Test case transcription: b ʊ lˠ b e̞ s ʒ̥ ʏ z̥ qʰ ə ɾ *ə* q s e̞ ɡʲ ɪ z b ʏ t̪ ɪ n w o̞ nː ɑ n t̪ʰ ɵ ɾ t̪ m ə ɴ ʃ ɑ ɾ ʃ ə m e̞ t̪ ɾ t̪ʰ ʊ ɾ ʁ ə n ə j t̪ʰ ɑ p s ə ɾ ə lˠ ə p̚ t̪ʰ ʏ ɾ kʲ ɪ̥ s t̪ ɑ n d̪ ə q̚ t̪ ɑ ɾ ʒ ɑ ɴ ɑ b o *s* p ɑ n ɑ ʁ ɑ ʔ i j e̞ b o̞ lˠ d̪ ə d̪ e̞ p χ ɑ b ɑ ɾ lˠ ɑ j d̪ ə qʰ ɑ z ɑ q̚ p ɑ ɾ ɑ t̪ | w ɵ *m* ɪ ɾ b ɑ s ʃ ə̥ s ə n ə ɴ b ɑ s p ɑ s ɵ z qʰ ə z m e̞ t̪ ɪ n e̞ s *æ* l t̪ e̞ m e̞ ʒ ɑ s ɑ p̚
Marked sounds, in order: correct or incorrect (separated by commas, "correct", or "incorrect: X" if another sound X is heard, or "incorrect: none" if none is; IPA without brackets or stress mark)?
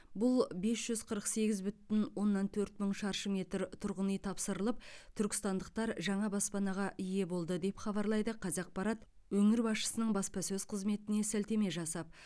correct, correct, incorrect: ŋ, correct